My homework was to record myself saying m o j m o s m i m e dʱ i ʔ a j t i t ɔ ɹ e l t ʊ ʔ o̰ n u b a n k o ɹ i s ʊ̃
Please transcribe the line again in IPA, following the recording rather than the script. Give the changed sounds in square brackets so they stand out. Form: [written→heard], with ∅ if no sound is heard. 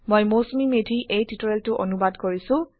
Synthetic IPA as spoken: m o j m o s m i m e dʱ i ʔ [a→e] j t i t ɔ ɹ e l t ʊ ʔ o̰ n u b a [n→d] k o ɹ i s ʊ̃